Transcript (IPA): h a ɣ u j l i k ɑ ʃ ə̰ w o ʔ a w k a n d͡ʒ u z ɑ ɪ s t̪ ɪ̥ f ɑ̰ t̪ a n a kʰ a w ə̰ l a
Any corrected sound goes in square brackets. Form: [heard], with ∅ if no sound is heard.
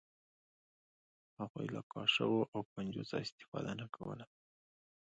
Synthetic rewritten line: h a ɣ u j l [a] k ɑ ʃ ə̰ w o ʔ a w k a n d͡ʒ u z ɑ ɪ s t̪ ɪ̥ f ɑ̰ [d̪] a n a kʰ a w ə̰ l a